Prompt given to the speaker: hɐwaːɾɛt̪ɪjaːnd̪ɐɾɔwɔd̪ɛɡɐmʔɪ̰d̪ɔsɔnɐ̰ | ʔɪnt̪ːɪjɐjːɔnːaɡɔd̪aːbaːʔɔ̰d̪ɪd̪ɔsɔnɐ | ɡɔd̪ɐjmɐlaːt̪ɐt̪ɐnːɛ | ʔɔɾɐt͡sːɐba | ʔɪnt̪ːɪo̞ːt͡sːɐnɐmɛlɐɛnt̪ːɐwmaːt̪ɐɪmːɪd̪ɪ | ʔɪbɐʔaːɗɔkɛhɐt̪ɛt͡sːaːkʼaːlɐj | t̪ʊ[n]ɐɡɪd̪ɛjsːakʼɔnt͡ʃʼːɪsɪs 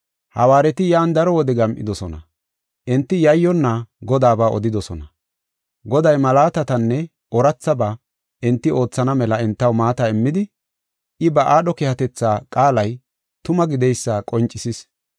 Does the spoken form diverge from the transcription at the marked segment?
yes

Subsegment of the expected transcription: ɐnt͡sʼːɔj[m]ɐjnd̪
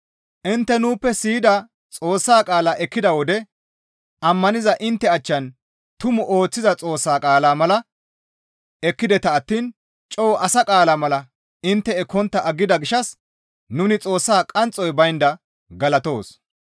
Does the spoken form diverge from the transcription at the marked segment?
yes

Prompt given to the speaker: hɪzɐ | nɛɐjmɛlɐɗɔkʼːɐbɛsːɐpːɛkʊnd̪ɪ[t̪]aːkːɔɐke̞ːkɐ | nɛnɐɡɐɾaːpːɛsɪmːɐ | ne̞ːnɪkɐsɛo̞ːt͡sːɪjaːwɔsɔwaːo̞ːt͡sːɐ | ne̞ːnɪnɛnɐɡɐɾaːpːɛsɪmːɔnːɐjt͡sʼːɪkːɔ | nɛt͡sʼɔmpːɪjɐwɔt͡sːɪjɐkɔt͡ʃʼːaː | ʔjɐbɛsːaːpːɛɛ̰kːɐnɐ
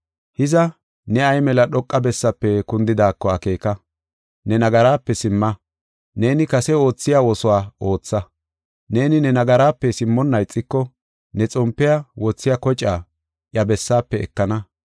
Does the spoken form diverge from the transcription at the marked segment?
yes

